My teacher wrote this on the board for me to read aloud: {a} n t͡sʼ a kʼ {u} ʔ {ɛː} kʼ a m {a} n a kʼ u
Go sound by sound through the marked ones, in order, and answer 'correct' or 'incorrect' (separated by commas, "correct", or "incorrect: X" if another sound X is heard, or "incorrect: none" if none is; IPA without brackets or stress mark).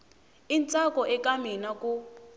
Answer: incorrect: i, incorrect: ɔ, incorrect: ɛ, incorrect: i